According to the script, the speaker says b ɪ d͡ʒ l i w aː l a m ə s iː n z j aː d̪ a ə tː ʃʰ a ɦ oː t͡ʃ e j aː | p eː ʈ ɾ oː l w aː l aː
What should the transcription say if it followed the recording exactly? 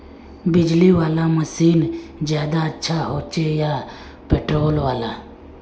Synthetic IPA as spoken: b ɪ d͡ʒ l i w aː l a m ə s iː n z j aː d̪ a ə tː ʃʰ a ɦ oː t͡ʃ e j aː | p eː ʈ ɾ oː l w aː l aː